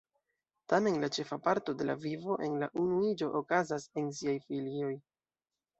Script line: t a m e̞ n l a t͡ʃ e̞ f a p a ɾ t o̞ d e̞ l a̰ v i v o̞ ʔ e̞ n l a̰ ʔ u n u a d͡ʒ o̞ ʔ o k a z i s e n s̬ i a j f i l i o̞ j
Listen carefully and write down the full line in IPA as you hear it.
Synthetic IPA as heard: t a m e̞ n l a t͡ʃ e̞ f a p a ɾ t o̞ d e̞ l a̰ v i v o̞ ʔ e̞ n l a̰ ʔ u n u i d͡ʒ o̞ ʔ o k a z a s e n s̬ i a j f i l i o̞ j